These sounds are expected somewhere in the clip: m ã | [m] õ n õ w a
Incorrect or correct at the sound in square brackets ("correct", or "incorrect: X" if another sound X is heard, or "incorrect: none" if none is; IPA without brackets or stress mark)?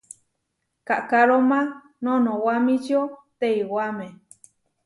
incorrect: n